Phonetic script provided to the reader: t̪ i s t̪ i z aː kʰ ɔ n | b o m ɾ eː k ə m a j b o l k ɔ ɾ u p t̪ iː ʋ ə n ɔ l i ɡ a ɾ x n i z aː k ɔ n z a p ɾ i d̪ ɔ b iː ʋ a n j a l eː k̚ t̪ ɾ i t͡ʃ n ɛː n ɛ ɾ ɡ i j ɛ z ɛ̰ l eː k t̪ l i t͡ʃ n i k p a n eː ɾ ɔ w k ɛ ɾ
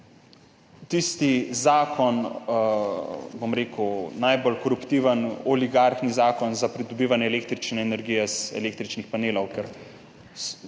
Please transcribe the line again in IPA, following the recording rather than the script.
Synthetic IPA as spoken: t̪ i s t̪ i z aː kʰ ɔ n | b o m ɾ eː k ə n a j b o l k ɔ ɾ u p t̪ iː ʋ ə n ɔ l i ɡ a ɾ x n i z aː k ɔ n z a p ɾ i d̪ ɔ b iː ʋ a n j ɛ l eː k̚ t̪ ɾ i t͡ʃ n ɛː n ɛ ɾ ɡ i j ɛ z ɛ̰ l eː k t̪ ɾ i t͡ʃ n i x p a n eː l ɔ w k ɛ ɾ